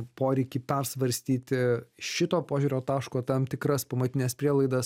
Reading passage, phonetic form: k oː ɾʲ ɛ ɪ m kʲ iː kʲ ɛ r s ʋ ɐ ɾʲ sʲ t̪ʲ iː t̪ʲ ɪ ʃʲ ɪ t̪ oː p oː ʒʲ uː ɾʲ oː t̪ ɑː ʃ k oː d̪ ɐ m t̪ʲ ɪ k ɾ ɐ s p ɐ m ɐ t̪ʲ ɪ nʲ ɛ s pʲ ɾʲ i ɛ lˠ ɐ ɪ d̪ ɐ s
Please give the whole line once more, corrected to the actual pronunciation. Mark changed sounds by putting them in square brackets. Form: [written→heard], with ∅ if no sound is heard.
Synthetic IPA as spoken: [k→p] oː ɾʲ ɛ ɪ [m→∅] kʲ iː [kʲ→pʲ] ɛ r s ʋ ɐ ɾʲ sʲ t̪ʲ iː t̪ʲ ɪ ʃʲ ɪ t̪ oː p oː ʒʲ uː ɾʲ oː t̪ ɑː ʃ k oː [d̪→t̪] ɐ m t̪ʲ ɪ k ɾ ɐ s p ɐ m ɐ t̪ʲ ɪ nʲ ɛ s pʲ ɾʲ i ɛ lˠ ɐ ɪ d̪ ɐ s